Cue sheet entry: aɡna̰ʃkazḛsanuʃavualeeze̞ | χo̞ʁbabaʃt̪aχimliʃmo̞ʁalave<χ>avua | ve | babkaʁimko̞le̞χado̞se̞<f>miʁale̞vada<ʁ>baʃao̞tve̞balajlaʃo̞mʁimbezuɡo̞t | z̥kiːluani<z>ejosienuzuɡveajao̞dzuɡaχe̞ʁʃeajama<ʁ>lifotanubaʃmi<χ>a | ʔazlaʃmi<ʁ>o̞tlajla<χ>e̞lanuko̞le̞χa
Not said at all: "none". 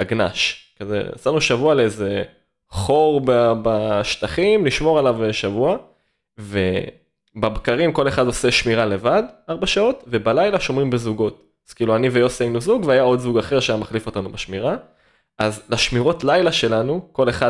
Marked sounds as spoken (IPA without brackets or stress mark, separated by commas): ʃ, ʃ, ʁ, v, χ, ʁ, ʁ, ʃ